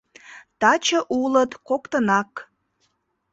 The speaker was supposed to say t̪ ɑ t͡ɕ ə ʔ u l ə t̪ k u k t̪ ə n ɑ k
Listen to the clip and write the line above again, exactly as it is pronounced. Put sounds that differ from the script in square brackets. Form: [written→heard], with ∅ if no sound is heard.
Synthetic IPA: t̪ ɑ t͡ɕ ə ʔ u l ə t̪ k [u→o] k t̪ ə n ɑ k